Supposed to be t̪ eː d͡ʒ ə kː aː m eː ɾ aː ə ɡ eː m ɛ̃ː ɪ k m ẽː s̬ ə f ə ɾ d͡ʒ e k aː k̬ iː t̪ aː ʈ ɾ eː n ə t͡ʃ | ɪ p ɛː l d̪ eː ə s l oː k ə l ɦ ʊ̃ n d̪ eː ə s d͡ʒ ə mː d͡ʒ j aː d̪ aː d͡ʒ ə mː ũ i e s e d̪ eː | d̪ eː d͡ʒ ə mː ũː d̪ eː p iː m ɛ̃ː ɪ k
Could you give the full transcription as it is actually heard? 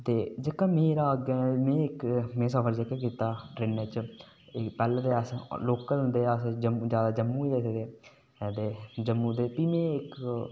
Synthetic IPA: t̪ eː d͡ʒ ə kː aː m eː ɾ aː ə ɡ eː m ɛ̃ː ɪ k m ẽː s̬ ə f ə ɾ d͡ʒ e k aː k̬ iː t̪ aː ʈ ɾ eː n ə t͡ʃ | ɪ p ɛː l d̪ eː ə s l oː k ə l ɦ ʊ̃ n d̪ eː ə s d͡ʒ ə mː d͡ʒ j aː d̪ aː d͡ʒ ə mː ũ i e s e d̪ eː | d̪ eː d͡ʒ ə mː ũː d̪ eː p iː m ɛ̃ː ɪ k